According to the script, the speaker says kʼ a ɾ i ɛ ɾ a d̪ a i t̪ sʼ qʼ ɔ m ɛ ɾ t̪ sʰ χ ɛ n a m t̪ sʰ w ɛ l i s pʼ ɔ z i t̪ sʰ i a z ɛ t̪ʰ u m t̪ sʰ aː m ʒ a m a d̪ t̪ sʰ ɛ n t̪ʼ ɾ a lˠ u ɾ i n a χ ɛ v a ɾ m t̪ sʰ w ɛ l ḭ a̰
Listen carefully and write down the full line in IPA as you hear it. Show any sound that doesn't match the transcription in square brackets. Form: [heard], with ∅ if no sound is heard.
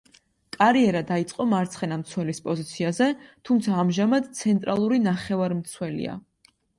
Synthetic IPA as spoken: kʼ a ɾ i ɛ ɾ a d̪ a i t̪ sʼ qʼ ɔ m [a] ɾ t̪ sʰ χ ɛ n a m t̪ sʰ w ɛ l i s pʼ ɔ z i t̪ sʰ i a z ɛ t̪ʰ u m t̪ sʰ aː m ʒ a m a d̪ t̪ sʰ ɛ n t̪ʼ ɾ a lˠ u ɾ i n a χ ɛ v a ɾ m t̪ sʰ w ɛ l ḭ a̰